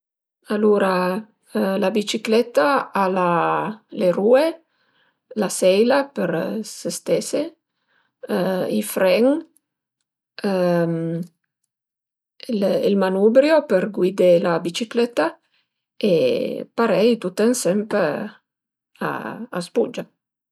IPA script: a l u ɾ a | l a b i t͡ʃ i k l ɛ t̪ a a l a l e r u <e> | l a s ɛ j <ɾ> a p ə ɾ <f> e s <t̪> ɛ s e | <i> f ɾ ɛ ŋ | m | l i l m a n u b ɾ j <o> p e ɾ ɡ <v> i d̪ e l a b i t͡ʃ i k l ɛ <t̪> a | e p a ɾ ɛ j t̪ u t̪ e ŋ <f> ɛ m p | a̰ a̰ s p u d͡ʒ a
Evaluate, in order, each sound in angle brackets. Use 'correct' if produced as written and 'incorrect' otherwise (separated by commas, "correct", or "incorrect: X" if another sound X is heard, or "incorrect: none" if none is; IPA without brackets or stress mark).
correct, incorrect: l, incorrect: s, correct, correct, correct, incorrect: w, correct, incorrect: s